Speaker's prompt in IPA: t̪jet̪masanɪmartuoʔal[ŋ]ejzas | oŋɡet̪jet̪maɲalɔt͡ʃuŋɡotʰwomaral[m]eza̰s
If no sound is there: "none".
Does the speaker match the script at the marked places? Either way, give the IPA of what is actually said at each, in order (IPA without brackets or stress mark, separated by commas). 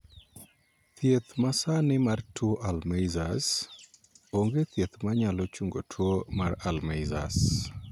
m, m